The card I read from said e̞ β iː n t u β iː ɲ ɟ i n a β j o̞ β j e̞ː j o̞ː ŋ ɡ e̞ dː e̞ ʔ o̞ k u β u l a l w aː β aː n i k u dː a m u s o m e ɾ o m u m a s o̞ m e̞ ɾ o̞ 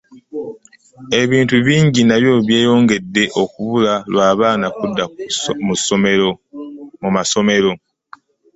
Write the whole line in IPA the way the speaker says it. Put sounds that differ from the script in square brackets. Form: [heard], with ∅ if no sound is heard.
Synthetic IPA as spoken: e̞ β iː n t u β iː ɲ ɟ i n a β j o̞ β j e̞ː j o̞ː ŋ ɡ e̞ dː e̞ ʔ o̞ k u β u l a l w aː β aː n [a] k u dː a m u s o m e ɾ o m u m a s o̞ m e̞ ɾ o̞

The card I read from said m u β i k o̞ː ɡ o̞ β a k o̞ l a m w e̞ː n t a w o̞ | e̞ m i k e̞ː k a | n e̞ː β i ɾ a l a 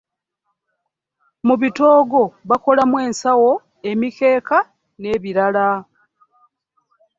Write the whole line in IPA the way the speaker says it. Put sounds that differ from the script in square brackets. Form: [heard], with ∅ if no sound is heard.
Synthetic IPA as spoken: m u β i [t] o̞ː ɡ o̞ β a k o̞ l a m w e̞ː n [s] a w o̞ | e̞ m i k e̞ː k a | n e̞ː β i ɾ a l a

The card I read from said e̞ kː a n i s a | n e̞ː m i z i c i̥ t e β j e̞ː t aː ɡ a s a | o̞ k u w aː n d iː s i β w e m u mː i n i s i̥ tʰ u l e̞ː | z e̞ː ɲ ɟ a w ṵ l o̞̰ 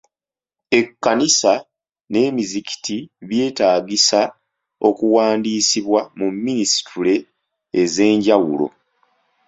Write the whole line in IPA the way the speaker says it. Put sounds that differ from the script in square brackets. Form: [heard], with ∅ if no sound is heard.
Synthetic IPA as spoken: e̞ kː a n i s a | n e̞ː m i z i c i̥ t [i] β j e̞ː t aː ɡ [i] s a | o̞ k u w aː n d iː s i β w [a] m u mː i n i s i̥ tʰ u l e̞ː | z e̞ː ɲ ɟ a w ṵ l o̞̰

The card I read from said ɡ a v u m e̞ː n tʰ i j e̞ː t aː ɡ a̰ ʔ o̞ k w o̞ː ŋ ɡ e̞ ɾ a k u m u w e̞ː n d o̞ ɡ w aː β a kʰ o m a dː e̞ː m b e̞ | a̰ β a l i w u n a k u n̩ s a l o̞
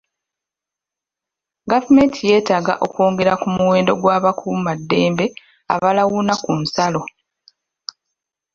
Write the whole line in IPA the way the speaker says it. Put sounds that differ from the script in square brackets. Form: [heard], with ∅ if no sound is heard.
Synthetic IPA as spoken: ɡ a v u m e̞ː n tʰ i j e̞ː t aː ɡ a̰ ʔ o̞ k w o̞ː ŋ ɡ e̞ ɾ a k u m u w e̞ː n d o̞ ɡ w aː β a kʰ [u] m a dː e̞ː m b e̞ | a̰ β a l [a] w u n a k u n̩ s a l o̞

